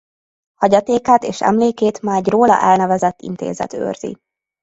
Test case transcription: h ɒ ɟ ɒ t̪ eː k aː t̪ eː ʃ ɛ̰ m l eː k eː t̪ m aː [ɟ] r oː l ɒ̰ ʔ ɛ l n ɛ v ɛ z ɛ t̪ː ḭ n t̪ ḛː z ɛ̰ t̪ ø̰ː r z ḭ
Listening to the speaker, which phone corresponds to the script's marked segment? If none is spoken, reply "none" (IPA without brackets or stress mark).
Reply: ɟ